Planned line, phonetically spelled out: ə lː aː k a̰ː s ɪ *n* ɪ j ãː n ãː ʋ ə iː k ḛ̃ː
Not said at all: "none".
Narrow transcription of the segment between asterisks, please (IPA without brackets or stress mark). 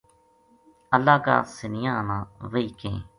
n